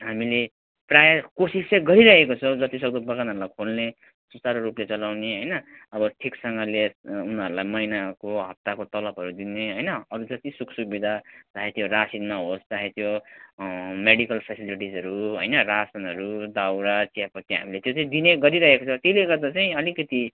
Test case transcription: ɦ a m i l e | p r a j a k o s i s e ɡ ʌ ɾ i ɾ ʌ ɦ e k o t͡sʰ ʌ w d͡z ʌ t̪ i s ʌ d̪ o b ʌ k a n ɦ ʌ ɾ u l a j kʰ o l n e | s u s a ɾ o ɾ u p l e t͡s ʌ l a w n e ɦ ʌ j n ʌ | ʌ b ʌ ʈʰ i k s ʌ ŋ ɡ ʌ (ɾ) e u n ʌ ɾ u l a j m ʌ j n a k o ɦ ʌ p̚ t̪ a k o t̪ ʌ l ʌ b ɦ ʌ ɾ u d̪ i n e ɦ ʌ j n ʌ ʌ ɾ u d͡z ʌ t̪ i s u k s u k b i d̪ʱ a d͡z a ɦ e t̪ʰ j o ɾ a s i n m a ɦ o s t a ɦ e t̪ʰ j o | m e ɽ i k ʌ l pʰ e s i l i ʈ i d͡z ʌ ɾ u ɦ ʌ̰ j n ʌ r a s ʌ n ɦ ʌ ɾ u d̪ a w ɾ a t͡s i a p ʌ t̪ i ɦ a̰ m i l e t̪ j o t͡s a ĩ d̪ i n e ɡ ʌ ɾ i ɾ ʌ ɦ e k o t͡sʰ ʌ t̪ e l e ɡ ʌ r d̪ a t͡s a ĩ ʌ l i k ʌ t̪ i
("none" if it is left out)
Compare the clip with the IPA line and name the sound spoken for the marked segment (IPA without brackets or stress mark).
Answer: l